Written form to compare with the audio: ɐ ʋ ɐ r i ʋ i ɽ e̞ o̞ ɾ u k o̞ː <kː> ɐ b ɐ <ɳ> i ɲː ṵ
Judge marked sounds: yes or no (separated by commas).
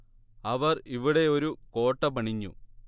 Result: no, yes